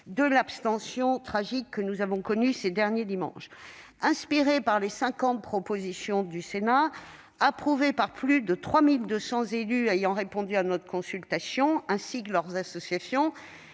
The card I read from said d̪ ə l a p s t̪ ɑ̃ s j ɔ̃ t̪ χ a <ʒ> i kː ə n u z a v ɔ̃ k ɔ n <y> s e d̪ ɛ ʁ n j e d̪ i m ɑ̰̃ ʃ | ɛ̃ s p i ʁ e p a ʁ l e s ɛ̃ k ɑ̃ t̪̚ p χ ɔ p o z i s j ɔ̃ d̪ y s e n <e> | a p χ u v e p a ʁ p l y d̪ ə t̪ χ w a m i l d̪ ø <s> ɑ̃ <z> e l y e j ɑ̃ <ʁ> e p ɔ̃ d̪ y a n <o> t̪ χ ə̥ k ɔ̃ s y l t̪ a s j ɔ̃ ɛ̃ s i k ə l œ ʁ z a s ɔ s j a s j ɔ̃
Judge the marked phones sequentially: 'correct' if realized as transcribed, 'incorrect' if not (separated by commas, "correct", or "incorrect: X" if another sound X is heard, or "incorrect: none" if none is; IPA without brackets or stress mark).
correct, correct, incorrect: a, correct, correct, correct, incorrect: ɔ